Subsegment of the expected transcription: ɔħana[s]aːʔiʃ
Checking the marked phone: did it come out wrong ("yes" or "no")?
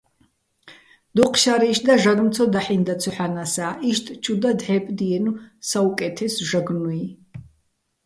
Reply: no